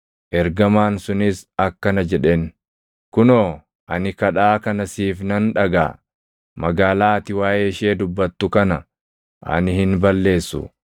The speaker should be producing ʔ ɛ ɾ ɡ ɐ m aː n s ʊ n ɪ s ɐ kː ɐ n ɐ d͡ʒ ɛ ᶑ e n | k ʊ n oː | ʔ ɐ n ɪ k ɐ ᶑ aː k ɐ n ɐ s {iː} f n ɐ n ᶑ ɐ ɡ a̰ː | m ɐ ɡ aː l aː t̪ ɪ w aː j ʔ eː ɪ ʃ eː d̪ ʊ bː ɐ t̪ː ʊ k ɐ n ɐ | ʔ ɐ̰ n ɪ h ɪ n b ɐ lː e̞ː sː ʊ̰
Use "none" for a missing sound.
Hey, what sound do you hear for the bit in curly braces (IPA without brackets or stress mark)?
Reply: iː